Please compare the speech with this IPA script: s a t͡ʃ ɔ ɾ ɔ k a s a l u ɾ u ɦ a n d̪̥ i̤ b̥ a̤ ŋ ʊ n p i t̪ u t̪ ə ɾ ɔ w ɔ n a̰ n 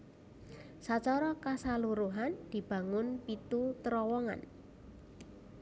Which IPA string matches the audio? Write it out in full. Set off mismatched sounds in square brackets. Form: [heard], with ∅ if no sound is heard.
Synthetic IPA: s a t͡ʃ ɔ ɾ ɔ k a s a l u ɾ u ɦ a n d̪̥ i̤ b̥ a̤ ŋ ʊ n p i t̪ u t̪ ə ɾ ɔ w ɔ [ŋ] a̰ n